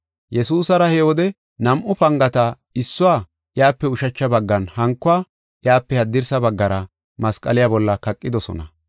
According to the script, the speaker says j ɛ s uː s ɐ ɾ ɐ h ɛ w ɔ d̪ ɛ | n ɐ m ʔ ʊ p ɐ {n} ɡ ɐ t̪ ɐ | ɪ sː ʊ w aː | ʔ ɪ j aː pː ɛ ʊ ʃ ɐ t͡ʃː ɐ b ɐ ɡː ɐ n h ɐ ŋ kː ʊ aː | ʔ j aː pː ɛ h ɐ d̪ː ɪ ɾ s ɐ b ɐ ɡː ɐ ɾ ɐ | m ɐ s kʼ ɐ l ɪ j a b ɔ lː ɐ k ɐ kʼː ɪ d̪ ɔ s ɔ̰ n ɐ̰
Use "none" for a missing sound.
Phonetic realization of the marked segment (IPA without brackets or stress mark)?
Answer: ŋ